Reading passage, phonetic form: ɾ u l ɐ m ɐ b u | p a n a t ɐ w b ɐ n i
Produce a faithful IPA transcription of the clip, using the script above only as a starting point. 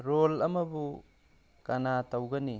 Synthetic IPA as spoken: ɾ o l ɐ m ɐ b u | k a n a t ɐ w ɡ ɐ n i